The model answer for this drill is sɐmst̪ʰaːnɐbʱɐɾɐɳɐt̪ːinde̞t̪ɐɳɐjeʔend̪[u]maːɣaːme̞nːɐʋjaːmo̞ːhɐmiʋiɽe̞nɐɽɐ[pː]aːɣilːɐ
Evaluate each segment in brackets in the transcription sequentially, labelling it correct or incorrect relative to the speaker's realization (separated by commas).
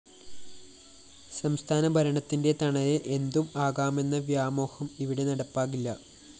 correct, correct